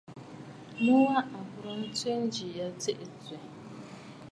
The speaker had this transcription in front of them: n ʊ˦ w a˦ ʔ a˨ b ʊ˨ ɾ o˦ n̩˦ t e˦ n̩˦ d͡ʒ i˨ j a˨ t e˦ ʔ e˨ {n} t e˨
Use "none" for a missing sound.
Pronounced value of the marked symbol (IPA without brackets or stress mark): none